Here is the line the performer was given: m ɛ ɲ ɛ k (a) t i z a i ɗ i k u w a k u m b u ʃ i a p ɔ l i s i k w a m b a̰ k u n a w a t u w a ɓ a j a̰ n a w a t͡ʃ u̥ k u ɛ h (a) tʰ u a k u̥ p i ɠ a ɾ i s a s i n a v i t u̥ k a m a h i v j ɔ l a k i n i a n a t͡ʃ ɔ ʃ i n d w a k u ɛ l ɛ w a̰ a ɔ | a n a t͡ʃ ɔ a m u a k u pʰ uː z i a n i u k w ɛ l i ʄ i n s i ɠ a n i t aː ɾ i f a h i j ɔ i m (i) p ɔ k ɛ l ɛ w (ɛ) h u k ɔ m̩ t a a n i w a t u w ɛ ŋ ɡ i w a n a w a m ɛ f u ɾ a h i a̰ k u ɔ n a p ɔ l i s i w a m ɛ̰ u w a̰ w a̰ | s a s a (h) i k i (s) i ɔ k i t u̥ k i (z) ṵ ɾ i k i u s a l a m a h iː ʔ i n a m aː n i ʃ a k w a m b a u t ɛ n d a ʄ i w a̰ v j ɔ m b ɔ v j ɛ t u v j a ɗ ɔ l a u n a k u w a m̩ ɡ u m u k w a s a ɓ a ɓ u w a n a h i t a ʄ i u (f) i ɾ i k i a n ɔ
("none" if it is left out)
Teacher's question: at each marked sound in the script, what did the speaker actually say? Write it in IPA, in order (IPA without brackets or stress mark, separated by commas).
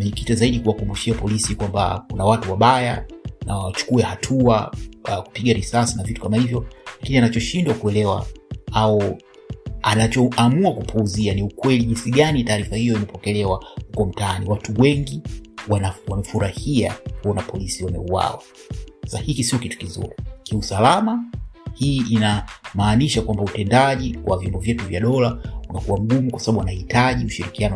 i, a, ɛ, a, h, s, z, ʃ